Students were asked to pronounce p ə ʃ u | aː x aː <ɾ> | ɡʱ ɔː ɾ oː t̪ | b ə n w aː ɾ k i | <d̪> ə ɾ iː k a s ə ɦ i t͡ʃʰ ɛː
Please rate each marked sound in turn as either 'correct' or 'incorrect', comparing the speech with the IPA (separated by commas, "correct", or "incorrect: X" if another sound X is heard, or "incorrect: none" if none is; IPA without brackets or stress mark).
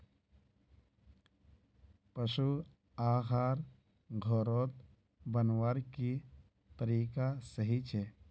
correct, incorrect: t̪